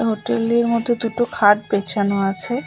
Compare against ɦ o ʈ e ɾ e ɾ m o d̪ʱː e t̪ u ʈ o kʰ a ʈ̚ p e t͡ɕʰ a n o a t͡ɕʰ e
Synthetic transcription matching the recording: ɦ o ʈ e l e ɾ m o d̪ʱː e d̪ u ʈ o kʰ a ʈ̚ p e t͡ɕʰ a n o a t͡ɕʰ e